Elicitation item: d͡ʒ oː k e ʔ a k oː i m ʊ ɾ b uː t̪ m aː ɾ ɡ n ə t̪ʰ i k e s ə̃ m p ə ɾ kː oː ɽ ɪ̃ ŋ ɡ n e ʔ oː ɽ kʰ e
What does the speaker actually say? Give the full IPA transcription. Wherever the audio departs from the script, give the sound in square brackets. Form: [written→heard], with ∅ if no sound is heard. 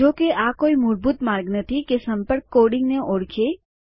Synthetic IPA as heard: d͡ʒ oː k e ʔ a k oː i m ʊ ɾ b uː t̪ m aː ɾ ɡ n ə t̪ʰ i k e s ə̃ m p ə ɾ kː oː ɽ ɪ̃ ŋ ɡ n e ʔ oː ɽ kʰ e